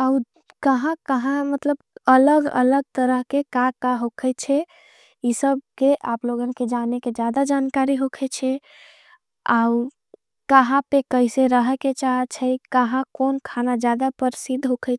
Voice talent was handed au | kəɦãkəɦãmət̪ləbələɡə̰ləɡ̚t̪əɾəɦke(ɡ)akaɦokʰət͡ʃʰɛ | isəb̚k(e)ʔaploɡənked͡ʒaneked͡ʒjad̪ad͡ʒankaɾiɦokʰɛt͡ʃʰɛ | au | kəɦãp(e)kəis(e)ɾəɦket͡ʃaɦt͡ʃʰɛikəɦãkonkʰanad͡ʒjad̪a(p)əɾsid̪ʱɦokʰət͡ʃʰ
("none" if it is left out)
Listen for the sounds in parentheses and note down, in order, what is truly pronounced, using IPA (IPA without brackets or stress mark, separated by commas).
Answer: k, e, e, e, p